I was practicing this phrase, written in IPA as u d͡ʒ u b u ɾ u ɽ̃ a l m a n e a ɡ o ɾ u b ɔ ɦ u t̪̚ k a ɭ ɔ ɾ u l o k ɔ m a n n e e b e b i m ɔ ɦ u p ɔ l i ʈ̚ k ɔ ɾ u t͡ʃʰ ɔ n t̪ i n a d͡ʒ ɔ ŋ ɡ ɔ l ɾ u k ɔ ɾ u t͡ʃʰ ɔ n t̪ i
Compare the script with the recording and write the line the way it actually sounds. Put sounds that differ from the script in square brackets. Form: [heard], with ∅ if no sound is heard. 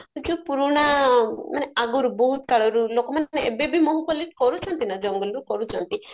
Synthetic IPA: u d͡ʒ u [p] u ɾ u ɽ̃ a [∅] m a n e a ɡ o ɾ u b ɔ ɦ u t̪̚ k a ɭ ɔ ɾ u l o k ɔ m a n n e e b e b i m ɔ ɦ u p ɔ l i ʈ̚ k ɔ ɾ u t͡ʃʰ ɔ n t̪ i n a d͡ʒ ɔ ŋ ɡ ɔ l ɾ u k ɔ ɾ u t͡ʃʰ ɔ n t̪ i